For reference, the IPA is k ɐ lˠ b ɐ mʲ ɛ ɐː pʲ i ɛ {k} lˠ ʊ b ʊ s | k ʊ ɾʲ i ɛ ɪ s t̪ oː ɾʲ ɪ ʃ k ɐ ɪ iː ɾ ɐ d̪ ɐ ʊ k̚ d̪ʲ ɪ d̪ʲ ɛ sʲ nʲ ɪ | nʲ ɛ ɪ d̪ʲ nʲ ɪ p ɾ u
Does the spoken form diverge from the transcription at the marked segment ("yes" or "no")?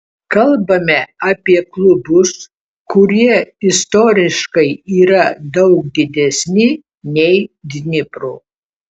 no